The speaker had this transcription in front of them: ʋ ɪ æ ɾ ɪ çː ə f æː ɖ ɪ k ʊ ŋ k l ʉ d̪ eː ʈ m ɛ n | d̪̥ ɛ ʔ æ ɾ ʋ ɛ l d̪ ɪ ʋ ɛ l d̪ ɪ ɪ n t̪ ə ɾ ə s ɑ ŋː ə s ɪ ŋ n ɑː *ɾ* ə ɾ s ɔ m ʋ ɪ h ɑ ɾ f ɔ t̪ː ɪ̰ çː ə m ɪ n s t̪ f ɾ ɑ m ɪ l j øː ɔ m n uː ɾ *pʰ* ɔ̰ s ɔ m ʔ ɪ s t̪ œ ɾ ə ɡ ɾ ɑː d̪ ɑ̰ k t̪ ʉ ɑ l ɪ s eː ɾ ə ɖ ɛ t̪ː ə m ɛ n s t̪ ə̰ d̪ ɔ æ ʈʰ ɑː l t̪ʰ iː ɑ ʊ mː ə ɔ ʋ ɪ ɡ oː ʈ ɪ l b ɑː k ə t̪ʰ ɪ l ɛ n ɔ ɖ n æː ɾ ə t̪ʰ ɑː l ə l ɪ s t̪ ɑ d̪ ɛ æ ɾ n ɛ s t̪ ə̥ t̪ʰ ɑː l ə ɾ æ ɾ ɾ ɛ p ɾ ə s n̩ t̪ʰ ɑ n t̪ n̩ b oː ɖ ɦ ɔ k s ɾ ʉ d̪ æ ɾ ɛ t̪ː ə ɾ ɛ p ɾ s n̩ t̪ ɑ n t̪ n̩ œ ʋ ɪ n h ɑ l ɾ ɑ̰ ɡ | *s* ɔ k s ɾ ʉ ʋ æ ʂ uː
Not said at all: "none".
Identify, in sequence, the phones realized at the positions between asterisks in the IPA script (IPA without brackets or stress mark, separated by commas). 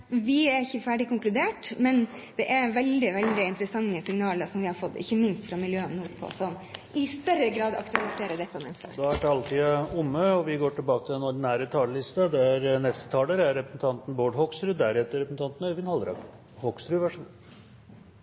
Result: l, pʰ, h